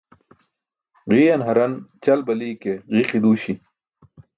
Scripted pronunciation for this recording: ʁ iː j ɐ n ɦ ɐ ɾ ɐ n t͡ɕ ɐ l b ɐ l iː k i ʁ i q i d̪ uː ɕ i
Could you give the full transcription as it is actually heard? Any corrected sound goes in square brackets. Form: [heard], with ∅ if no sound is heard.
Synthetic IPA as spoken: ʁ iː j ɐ n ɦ ɐ ɾ ɐ n t͡ɕ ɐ l b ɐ l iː k [e] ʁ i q i d̪ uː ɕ i